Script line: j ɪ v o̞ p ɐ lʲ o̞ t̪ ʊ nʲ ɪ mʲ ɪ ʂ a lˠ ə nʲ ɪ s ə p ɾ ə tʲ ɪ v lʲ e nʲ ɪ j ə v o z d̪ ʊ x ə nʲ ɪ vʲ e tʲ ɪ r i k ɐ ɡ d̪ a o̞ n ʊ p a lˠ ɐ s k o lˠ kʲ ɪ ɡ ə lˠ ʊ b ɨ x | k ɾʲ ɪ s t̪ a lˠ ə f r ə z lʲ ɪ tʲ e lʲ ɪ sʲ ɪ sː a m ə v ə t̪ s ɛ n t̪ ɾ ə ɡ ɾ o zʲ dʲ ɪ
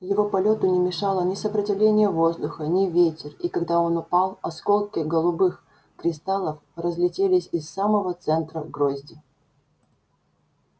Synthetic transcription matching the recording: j ɪ v o̞ p ɐ lʲ o̞ t̪ ʊ nʲ ɪ mʲ ɪ ʂ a lˠ ə nʲ ɪ s ə p ɾ ə tʲ ɪ v lʲ e nʲ ɪ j ə v o z d̪ ʊ x ə nʲ ɪ vʲ e tʲ ɪ r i k ɐ ɡ d̪ a o̞ n ʊ p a lˠ ɐ s k o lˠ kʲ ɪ ɡ ə lˠ ʊ b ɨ x | k ɾʲ ɪ s t̪ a lˠ ə f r ə z lʲ ɪ tʲ e lʲ ɪ sʲ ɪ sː a m ə v ə t̪ s ɛ n t̪ ɾ ə ɡ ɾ o zʲ dʲ ɪ